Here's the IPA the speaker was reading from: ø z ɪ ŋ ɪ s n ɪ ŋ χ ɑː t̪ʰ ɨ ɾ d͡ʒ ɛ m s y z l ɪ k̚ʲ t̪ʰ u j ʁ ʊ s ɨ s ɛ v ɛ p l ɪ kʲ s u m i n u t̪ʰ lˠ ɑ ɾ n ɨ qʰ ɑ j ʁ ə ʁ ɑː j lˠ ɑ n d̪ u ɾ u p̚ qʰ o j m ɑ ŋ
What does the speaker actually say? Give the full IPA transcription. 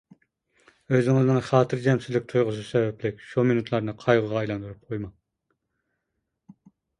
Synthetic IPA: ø z ɪ ŋ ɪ z n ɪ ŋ χ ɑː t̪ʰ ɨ ɾ d͡ʒ ɛ m s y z l ɪ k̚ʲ t̪ʰ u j ʁ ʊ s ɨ s ɛ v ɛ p l ɪ kʲ ʃ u m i n u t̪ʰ lˠ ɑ ɾ n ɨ qʰ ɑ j ʁ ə ʁ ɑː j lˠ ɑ n d̪ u ɾ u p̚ qʰ o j m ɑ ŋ